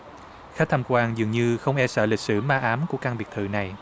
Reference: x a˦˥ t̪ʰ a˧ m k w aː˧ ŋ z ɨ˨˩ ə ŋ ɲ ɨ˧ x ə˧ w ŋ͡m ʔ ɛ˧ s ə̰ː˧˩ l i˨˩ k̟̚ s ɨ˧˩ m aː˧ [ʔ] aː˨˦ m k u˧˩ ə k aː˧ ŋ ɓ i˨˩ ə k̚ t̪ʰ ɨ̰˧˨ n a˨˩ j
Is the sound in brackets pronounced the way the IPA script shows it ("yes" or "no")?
yes